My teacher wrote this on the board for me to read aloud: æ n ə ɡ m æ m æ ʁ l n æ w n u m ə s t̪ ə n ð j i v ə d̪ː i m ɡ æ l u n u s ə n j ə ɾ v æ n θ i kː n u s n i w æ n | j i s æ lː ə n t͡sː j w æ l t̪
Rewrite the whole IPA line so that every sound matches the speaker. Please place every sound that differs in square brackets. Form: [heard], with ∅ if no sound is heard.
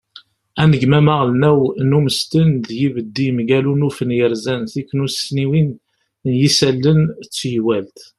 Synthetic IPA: æ n ə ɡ m æ m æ ʁ l n æ w n u m ə s t̪ ə n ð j i v ə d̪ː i m ɡ æ l u n u [f] ə n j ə ɾ [z] æ n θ i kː n u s n i w [i] n | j i s æ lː ə n t͡sː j w æ l t̪